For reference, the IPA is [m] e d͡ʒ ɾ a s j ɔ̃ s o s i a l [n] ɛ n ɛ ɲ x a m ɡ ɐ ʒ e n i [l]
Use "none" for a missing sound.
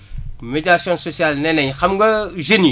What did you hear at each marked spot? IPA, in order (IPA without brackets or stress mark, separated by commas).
m, n, none